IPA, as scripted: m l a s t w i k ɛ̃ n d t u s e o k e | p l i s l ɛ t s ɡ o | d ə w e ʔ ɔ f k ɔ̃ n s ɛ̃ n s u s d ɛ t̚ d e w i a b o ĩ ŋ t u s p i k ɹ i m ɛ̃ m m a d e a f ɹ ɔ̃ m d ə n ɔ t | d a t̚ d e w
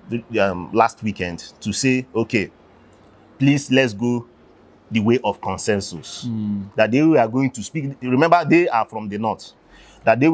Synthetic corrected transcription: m l a s t w i k ɛ̃ n d t u s e o k e | p l i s l ɛ t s ɡ o | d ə w e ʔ ɔ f k ɔ̃ n s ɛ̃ n s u s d a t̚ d e w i a ɡ o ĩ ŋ t u s p i k ɹ i m ɛ̃ m b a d e a f ɹ ɔ̃ m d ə n ɔ t | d a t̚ d e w